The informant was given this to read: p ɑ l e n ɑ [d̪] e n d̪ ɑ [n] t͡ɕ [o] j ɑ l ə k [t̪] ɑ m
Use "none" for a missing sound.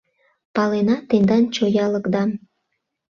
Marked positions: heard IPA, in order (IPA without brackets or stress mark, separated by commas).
t̪, n, o, d̪